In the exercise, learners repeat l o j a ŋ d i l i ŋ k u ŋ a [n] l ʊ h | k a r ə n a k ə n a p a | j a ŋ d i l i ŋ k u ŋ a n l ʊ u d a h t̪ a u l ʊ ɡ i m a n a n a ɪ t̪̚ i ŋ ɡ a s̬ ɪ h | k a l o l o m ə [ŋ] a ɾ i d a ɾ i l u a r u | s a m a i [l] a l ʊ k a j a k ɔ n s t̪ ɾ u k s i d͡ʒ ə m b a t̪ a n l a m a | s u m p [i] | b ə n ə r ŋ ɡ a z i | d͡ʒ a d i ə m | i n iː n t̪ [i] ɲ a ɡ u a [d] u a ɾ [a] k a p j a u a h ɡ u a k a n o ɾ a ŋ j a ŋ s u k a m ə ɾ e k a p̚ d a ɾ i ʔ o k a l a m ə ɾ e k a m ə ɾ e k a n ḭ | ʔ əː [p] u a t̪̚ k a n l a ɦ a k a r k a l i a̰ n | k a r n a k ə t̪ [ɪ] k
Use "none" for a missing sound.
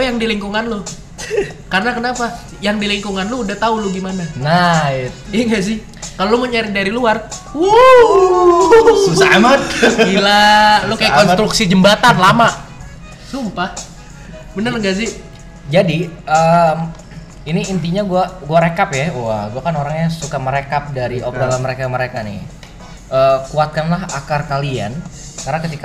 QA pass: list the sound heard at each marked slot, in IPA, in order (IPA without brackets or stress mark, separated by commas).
n, ɲ, l, a, i, ɡ, e, k, i